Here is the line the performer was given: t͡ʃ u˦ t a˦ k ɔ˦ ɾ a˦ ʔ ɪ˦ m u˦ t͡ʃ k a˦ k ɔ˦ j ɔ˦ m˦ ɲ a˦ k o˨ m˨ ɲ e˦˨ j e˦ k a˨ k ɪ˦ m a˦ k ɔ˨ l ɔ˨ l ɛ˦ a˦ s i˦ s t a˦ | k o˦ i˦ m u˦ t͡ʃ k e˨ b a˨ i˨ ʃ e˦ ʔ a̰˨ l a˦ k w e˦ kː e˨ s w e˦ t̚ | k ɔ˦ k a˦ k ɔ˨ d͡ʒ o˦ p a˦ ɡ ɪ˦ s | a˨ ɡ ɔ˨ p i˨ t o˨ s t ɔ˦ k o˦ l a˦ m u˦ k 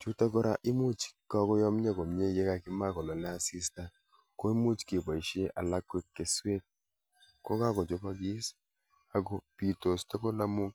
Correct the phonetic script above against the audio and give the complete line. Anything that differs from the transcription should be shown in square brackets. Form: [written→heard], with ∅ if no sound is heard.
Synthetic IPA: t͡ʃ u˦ t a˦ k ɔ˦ ɾ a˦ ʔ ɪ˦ m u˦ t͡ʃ k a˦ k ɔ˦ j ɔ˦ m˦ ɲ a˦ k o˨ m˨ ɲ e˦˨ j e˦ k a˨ k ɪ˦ m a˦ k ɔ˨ l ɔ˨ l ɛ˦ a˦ s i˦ s t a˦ | k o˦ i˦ m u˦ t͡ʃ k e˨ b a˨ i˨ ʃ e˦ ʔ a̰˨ l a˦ k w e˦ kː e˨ s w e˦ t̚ | k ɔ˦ k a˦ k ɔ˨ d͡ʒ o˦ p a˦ ɡ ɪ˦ s | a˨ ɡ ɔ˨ p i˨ t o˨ s t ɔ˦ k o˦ l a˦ m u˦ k